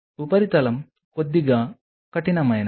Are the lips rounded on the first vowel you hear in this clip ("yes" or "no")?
yes